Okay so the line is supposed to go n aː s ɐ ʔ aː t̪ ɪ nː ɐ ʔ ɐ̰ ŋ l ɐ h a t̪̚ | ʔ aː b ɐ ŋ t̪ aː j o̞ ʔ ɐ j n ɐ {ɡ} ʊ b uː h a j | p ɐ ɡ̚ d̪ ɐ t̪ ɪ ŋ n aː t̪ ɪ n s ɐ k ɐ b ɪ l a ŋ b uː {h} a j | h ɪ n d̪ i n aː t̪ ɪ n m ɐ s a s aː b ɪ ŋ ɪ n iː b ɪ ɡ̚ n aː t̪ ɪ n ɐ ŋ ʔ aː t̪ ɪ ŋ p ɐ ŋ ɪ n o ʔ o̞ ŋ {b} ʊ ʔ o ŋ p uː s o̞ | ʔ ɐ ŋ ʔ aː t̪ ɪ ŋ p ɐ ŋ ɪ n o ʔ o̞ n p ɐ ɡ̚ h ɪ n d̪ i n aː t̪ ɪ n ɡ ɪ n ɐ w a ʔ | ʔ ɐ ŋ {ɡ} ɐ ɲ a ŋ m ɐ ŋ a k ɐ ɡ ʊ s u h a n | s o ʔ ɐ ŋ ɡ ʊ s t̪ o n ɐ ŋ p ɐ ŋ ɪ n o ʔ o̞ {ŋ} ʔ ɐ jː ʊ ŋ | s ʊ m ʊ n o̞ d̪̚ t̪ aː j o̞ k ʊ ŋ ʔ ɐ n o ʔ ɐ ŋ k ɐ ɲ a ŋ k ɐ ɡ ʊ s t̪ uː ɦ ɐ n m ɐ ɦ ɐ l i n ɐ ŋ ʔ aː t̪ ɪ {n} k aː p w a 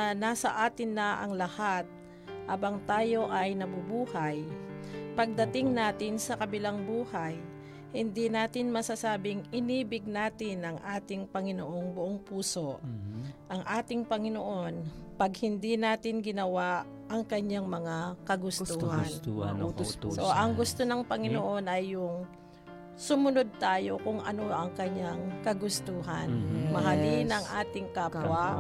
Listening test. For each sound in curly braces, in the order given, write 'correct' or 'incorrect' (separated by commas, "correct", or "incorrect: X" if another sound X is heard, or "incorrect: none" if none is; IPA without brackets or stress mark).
incorrect: b, correct, correct, incorrect: k, incorrect: n, incorrect: ŋ